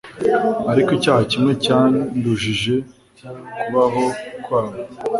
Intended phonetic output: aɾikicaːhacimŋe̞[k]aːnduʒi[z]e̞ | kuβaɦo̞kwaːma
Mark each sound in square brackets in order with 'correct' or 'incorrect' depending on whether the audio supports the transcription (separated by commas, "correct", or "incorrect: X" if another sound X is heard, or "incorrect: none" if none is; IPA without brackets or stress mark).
incorrect: c, incorrect: ʒ